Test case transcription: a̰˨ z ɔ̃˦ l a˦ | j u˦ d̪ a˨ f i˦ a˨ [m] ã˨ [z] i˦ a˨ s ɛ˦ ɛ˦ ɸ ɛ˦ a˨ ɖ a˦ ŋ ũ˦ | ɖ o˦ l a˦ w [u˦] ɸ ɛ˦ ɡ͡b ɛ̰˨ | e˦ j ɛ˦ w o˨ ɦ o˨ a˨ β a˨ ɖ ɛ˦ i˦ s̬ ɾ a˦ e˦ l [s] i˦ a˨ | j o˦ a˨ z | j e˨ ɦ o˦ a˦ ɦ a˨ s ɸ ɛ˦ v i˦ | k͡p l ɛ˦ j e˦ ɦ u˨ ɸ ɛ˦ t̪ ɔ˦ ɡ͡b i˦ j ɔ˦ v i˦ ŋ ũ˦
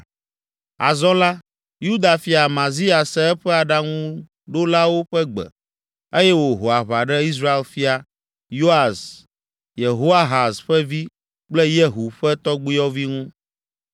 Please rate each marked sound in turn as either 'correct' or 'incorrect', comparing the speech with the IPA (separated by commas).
correct, correct, incorrect, incorrect